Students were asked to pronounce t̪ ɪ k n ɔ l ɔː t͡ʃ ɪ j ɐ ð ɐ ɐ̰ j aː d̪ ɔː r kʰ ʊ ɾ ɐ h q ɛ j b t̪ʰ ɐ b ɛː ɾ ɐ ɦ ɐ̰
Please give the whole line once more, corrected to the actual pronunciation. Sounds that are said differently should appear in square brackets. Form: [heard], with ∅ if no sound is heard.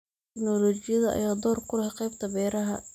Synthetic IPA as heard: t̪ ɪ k n ɔ l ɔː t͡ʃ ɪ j ɐ ð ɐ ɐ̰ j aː d̪ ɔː r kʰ ʊ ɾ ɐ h q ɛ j b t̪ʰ ɐ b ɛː ɾ ɐ ɦ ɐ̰